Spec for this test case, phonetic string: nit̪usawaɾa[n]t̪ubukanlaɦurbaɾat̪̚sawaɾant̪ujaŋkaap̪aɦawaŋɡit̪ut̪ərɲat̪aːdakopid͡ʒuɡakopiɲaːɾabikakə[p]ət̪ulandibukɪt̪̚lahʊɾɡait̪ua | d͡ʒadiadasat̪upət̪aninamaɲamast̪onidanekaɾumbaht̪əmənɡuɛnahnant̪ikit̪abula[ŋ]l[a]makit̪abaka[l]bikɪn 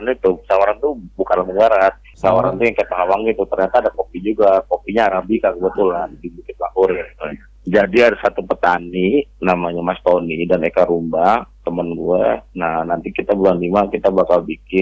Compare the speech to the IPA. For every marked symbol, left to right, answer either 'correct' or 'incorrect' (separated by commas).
correct, incorrect, incorrect, incorrect, correct